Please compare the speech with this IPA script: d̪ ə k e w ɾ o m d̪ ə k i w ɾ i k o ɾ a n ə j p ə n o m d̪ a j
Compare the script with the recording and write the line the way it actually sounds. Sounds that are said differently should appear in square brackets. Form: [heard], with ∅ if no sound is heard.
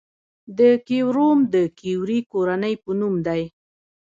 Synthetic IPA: d̪ ə k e w ɾ o m d̪ ə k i w ɾ i k o ɾ a n ə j p ə n [u] m d̪ a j